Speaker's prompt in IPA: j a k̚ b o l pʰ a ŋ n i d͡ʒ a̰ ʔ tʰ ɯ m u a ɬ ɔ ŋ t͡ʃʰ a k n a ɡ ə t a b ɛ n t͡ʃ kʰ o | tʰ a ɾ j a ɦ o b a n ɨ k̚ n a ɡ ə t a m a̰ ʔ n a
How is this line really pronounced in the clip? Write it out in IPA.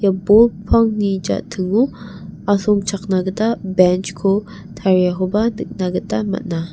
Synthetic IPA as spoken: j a b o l pʰ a ŋ n i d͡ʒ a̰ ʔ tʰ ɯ ŋ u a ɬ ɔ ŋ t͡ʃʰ a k n a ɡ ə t a b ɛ n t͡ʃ kʰ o | tʰ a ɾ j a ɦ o b a n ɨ k̚ n a ɡ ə t a m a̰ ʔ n a